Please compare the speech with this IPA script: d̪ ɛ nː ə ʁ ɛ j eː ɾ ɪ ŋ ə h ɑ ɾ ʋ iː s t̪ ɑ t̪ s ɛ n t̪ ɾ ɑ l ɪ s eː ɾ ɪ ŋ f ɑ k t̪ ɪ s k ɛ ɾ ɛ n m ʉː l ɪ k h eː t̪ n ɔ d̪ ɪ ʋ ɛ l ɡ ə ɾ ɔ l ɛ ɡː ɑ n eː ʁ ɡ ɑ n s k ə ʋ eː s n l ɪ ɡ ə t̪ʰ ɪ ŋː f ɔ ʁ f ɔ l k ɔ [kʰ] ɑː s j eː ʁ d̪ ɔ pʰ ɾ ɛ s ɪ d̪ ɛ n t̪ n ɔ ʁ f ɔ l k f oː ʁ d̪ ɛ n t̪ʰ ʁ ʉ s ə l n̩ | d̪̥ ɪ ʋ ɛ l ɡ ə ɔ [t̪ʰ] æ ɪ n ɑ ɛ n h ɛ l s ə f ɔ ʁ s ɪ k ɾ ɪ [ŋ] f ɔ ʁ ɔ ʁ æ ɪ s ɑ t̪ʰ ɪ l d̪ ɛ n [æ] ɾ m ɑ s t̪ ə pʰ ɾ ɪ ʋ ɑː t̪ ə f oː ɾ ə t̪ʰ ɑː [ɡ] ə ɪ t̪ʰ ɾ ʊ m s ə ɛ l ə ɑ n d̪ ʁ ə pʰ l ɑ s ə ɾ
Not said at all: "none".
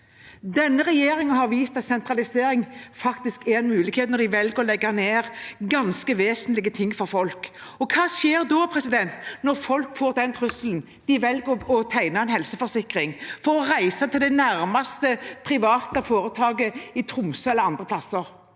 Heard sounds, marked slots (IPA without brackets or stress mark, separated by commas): kʰ, t̪ʰ, ŋ, æ, ɡ